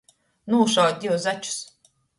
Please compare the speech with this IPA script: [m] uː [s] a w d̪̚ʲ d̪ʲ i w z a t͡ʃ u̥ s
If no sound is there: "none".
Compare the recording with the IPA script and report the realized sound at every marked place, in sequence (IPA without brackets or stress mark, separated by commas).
n, ʃ